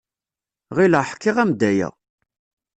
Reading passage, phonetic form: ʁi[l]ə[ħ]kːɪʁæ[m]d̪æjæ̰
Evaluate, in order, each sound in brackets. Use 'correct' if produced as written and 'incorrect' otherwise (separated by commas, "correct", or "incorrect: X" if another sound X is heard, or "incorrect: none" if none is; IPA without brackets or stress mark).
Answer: correct, correct, correct